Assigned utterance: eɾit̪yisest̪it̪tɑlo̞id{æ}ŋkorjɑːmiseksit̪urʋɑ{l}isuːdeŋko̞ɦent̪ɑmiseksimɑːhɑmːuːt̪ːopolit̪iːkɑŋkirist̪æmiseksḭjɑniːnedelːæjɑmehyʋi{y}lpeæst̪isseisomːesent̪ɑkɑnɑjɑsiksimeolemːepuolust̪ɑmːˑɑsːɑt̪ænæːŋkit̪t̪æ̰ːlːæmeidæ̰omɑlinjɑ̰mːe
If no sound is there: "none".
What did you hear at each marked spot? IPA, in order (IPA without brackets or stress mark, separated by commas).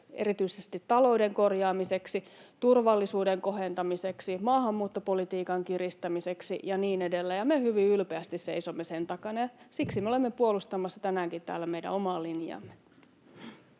e, lː, y